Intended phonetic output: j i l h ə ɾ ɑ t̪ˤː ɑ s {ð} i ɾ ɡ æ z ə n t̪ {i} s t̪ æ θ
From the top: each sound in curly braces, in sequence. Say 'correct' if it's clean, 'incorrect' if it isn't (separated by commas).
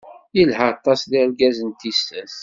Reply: correct, correct